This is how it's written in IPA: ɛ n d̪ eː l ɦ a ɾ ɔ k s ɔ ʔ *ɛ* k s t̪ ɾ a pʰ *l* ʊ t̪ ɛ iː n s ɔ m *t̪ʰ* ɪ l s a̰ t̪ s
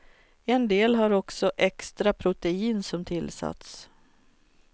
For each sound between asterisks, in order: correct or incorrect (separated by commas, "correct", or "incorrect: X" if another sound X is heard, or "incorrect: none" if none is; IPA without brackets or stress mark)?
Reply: correct, incorrect: ɾ, correct